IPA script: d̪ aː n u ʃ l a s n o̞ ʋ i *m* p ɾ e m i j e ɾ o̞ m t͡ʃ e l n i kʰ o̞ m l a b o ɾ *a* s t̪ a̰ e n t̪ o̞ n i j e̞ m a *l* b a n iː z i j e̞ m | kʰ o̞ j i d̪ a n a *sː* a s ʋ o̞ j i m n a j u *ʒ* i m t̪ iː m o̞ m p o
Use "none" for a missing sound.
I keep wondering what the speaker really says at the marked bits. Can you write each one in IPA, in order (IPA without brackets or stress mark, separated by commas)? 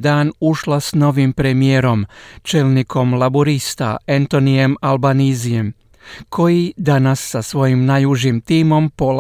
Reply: m, i, l, sː, ʒ